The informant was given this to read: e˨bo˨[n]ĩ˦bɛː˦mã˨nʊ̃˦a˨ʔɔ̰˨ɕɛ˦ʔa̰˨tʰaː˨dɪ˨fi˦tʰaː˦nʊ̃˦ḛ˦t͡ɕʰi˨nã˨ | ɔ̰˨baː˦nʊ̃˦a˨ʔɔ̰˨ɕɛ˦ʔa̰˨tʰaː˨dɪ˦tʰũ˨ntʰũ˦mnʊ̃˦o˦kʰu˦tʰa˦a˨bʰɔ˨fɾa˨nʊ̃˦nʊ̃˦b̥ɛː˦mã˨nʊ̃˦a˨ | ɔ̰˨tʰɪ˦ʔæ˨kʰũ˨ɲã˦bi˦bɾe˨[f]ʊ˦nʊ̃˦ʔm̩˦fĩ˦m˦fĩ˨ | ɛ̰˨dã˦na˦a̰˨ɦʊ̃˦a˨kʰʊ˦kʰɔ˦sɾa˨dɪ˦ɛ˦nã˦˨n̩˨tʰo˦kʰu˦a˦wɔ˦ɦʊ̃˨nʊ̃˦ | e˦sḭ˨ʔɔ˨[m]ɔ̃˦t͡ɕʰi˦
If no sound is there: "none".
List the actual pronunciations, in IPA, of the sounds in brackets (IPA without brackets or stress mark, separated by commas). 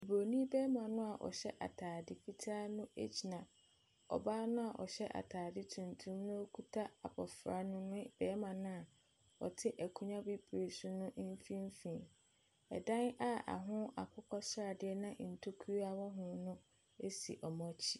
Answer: n, s, m